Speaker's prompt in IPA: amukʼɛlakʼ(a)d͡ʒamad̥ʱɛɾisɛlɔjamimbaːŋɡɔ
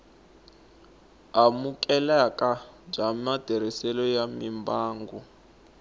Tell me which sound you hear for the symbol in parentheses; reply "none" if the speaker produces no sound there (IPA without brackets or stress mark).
a